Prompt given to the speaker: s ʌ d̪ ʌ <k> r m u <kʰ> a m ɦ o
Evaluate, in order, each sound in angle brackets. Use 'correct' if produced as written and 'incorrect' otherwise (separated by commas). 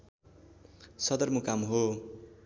incorrect, incorrect